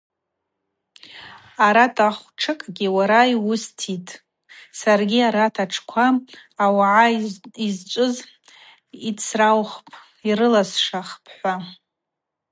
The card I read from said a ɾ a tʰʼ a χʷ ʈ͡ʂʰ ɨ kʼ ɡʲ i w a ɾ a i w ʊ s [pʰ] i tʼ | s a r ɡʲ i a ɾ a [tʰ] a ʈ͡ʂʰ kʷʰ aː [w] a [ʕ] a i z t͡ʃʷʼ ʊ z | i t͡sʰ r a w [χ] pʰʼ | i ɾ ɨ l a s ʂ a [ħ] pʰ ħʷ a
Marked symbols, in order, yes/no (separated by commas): no, yes, yes, yes, yes, no